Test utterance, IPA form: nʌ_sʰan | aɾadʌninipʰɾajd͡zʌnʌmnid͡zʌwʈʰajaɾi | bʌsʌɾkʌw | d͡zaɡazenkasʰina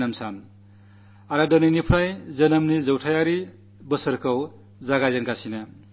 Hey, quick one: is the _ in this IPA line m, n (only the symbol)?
m